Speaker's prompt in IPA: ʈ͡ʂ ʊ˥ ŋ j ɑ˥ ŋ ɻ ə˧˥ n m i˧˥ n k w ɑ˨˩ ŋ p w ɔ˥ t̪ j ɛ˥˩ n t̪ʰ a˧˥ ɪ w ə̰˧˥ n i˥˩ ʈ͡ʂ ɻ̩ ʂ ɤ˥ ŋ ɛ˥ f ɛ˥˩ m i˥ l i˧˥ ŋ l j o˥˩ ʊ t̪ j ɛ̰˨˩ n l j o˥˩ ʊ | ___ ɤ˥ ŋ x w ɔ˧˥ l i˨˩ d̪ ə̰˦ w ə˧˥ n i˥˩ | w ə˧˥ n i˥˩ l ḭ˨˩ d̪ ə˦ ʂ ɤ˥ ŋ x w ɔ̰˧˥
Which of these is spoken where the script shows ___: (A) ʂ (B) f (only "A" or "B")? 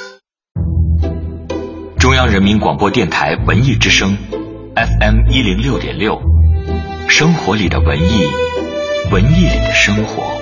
A